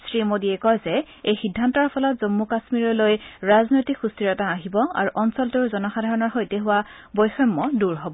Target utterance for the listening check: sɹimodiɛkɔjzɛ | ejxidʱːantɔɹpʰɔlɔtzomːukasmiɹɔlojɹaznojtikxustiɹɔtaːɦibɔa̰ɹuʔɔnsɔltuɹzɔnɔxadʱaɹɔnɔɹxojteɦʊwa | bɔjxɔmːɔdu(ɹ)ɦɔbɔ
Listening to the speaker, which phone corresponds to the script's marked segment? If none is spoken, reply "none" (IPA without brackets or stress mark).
ɹ